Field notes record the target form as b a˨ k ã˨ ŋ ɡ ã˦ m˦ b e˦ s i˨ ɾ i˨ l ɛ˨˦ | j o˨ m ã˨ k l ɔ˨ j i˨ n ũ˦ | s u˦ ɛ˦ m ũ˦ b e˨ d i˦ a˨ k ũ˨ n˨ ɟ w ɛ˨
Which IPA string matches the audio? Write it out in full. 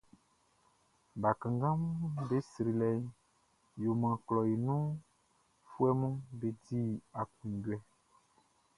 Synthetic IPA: b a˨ k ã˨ ŋ ɡ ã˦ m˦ b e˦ s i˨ ɾ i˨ l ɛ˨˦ | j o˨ m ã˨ k l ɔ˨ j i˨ n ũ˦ | f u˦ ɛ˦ m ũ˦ b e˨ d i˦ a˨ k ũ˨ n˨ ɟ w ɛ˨